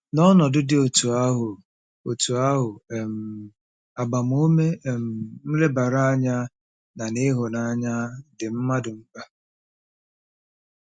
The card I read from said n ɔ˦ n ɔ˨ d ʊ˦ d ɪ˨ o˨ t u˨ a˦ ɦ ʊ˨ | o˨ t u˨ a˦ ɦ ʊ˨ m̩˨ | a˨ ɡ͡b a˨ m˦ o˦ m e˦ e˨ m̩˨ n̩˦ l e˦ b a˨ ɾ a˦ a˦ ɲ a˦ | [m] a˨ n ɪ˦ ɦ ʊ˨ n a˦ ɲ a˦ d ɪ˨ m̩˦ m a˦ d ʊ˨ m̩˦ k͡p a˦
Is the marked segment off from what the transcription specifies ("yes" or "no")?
yes